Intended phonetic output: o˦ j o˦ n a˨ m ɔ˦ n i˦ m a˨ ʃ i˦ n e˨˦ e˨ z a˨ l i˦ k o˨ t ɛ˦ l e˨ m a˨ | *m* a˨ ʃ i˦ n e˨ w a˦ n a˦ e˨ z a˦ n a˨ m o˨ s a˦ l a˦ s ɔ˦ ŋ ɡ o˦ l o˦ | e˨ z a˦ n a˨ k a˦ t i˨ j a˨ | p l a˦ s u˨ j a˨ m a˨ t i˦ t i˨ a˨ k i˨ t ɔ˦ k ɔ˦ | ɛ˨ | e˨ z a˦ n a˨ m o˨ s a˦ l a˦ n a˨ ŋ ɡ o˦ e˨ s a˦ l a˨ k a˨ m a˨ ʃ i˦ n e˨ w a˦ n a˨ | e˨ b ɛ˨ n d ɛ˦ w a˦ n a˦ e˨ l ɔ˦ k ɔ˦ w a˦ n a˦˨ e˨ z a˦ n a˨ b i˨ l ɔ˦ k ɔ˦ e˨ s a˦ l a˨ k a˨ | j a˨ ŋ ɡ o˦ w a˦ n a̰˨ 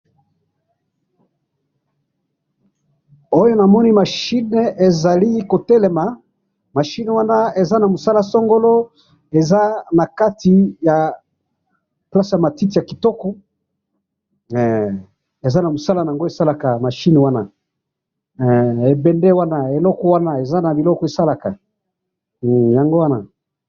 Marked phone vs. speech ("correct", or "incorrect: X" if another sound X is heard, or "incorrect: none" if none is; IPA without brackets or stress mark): correct